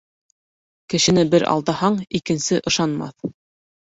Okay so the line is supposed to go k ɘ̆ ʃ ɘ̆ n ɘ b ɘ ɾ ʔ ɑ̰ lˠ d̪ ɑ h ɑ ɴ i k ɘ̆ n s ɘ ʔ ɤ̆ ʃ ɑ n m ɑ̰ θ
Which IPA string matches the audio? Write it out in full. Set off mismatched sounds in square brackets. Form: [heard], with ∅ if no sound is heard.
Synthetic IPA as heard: k ɘ̆ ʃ ɘ̆ n ɘ b ɘ ɾ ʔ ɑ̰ lˠ d̪ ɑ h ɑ ɴ i k ɘ̆ n s ɘ ʔ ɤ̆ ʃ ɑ n m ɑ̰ θ